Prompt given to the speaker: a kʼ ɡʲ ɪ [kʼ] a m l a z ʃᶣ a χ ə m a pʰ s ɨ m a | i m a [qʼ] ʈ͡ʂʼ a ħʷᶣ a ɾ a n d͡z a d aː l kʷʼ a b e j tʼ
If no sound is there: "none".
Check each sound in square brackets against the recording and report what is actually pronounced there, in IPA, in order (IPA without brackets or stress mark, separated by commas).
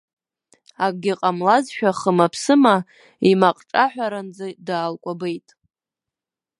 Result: qʼ, qʼ